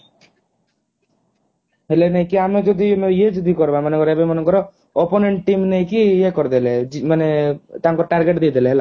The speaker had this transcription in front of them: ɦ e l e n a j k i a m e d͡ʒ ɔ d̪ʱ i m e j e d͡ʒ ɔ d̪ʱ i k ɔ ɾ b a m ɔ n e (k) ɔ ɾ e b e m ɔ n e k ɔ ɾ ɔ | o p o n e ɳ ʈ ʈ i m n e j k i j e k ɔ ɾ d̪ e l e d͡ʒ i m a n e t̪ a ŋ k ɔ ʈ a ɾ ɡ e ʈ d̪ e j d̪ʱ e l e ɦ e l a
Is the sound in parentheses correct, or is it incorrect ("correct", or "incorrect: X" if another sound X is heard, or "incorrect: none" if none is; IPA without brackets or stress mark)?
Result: correct